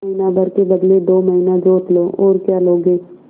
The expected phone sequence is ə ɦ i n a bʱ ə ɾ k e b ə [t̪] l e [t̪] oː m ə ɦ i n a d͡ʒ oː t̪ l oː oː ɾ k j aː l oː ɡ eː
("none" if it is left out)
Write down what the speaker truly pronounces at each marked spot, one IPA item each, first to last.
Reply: d̪, d̪

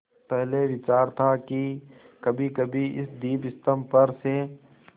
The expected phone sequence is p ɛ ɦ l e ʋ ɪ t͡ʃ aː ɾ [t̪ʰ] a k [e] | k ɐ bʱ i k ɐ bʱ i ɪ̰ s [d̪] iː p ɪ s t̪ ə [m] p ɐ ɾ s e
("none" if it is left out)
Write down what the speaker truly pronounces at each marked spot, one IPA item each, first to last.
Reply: t̪ʰ, i, d̪, m

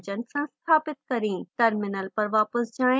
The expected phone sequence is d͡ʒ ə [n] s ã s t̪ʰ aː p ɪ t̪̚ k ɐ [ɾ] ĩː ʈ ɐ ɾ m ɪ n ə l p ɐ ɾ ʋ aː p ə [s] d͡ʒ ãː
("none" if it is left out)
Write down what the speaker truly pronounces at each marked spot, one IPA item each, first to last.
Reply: n, ɾ, s

